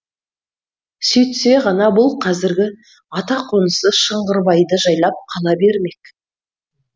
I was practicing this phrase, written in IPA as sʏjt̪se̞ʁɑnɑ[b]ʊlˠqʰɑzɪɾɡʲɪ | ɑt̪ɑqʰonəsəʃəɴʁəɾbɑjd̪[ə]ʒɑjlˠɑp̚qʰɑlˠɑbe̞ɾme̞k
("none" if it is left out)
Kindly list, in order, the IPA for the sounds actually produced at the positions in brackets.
b, ə

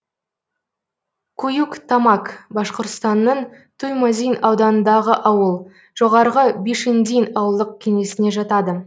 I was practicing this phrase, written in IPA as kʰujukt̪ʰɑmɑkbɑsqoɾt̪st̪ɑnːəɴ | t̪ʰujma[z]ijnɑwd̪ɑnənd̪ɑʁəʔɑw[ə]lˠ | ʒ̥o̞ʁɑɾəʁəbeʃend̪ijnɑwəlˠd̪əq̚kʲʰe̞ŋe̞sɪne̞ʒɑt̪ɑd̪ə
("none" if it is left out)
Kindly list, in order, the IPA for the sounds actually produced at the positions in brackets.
z, ə

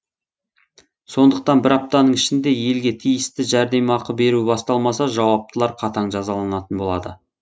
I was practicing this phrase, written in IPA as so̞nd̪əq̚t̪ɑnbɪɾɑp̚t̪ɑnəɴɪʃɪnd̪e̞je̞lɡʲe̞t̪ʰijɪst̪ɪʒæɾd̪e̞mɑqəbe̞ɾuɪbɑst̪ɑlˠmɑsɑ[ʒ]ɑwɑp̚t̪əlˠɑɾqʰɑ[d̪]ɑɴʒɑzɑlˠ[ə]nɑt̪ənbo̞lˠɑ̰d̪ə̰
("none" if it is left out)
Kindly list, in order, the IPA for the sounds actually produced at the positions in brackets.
ʒ, t̪, ɑ

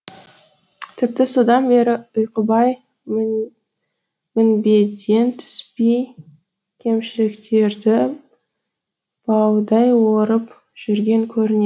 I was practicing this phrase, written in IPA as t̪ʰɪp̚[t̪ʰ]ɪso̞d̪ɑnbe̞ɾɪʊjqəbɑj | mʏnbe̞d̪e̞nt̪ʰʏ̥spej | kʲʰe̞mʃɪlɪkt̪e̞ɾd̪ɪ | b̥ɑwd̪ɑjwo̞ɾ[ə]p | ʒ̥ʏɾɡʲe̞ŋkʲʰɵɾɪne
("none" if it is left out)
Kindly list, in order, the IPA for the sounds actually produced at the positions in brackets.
t̪, ə

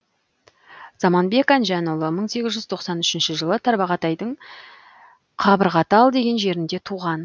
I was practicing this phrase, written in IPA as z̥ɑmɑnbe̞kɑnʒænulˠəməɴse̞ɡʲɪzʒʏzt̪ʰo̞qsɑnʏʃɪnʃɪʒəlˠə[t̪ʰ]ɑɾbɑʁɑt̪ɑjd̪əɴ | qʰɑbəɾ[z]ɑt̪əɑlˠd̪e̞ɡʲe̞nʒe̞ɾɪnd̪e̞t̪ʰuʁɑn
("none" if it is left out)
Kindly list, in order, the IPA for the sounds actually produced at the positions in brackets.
t̪ʰ, ʁ

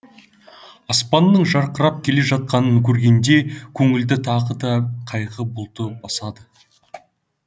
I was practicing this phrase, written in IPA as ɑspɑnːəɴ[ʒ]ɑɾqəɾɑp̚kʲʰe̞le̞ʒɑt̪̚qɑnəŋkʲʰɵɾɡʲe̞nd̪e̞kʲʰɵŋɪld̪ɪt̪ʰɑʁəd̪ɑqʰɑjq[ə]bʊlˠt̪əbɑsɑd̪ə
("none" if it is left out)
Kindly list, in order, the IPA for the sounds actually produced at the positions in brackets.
ʒ, ə

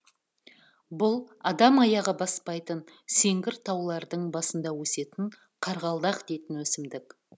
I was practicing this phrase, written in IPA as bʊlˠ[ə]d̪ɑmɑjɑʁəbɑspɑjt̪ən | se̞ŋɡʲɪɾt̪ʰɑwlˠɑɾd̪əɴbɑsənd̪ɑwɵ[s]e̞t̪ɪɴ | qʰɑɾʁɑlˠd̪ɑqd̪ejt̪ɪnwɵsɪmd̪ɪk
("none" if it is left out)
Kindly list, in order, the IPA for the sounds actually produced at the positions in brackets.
ɑ, s

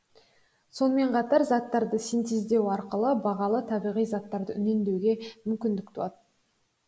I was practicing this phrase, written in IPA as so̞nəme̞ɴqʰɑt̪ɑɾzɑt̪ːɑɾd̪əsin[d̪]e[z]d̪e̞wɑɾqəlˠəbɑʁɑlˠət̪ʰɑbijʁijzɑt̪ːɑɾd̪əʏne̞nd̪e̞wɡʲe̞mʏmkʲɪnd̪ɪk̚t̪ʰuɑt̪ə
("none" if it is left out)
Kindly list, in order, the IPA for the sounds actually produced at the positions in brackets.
t̪, z

